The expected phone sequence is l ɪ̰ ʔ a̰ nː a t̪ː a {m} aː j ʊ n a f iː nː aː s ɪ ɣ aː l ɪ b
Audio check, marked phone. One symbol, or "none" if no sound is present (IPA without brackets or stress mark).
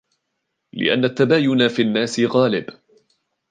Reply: b